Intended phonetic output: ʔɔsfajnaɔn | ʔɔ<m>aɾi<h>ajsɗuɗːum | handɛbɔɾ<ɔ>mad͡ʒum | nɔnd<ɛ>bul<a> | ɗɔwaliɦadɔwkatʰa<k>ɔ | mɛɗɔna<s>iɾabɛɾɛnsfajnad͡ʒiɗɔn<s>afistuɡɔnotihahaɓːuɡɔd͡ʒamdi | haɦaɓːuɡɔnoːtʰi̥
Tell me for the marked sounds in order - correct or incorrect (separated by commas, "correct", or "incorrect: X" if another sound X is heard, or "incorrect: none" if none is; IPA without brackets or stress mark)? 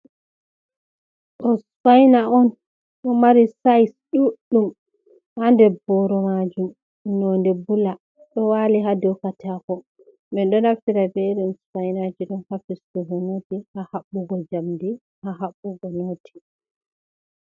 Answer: correct, incorrect: s, correct, correct, correct, correct, incorrect: f, incorrect: h